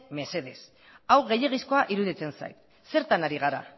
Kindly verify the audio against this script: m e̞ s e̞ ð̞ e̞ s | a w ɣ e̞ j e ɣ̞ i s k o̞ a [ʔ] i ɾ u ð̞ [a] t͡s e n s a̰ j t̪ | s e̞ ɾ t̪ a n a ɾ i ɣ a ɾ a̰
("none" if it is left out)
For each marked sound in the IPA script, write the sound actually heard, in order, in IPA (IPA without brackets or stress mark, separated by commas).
ʔ, i